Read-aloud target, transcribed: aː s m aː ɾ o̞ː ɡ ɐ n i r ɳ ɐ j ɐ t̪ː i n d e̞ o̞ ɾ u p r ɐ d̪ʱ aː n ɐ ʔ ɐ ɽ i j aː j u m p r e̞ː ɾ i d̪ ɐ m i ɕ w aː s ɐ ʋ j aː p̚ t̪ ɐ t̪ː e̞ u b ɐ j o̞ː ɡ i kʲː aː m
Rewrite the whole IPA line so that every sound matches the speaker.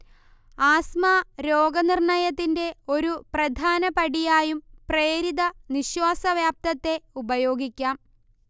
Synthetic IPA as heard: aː s m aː ɾ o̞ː ɡ ɐ n i r ɳ ɐ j ɐ t̪ː i n d e̞ o̞ ɾ u p r ɐ d̪ʱ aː n ɐ p ɐ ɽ i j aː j u m p r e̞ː ɾ i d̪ ɐ n i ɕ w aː s ɐ ʋ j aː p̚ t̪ ɐ t̪ː e̞ u b ɐ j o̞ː ɡ i kʲː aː m